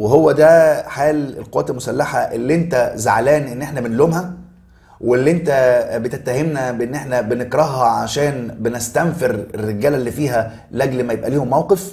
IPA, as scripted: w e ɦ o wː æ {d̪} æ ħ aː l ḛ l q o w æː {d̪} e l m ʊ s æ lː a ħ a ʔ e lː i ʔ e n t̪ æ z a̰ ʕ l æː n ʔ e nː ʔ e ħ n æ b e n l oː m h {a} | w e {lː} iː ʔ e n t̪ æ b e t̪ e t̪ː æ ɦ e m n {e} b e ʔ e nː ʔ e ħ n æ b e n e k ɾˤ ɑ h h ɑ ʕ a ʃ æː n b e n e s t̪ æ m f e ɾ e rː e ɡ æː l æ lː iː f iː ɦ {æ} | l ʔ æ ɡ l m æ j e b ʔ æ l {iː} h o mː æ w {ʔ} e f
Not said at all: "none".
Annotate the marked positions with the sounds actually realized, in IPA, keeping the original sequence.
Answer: d̪, t̪, æ, lː, æ, æ, iː, q

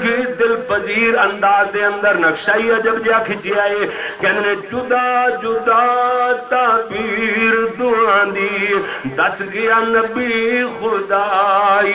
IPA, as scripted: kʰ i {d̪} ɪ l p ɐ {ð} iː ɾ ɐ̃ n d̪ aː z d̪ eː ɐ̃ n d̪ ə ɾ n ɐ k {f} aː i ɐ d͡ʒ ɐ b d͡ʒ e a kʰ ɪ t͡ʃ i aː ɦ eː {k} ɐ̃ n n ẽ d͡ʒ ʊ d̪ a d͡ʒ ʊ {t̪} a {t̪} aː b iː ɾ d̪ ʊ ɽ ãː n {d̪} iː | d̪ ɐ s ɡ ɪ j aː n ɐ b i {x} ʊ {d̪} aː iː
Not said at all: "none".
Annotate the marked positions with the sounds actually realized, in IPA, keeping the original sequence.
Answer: d̪, z, ʃ, k, d̪, t̪, d̪, x, d̪

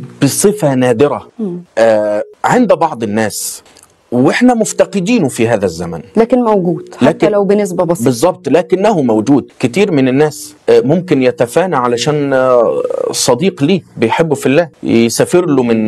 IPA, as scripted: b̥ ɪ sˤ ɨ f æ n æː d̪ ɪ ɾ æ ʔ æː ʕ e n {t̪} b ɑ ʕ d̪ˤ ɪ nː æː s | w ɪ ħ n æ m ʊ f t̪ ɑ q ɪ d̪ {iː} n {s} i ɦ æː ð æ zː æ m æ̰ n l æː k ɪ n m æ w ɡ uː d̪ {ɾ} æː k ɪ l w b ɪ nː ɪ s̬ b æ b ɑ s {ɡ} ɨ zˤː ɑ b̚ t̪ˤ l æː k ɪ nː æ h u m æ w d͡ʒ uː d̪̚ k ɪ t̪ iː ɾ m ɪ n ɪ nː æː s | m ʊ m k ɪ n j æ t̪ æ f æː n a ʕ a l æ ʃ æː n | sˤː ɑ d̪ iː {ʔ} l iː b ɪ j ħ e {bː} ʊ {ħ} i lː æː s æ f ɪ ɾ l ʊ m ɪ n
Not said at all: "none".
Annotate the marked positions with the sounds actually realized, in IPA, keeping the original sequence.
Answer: d̪, iː, f, l, b, q, bː, f

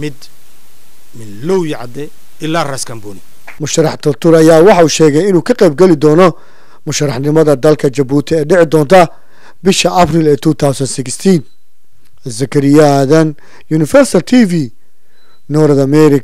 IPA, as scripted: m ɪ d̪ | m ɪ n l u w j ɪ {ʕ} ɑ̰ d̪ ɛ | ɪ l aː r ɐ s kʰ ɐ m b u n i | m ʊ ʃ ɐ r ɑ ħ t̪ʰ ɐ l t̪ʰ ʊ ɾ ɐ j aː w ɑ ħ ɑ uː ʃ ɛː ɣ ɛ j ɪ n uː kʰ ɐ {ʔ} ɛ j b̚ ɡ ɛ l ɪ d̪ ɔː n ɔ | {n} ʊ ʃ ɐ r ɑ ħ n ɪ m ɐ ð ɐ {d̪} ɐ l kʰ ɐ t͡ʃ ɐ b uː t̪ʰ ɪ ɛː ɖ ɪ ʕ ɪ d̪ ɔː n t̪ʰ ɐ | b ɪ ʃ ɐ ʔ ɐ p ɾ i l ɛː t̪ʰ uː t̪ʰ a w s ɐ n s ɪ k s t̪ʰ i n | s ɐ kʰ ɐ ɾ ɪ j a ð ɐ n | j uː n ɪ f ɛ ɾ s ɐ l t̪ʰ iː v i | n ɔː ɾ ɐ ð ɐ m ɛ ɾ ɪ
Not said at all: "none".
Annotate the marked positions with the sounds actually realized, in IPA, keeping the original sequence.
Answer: ʕ, q, m, d̪

